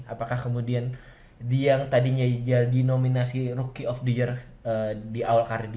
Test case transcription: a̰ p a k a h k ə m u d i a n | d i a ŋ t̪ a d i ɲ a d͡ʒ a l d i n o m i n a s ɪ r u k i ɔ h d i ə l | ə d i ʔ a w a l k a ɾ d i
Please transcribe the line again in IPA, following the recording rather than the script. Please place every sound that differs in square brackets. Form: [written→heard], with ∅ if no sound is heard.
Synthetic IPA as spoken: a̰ p a k a h k ə m u d i a n | d i a ŋ t̪ a d i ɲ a d͡ʒ a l d i n o m i n a s [ɪ→i] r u k i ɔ [h→f] d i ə [l→r] | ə d i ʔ a w a l k a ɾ d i